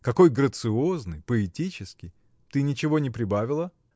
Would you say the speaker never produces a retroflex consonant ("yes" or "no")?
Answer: yes